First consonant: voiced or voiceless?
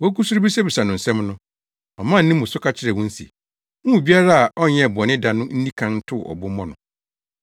voiced